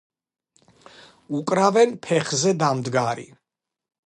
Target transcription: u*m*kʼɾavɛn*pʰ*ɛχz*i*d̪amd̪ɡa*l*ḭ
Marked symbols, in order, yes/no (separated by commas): no, yes, no, no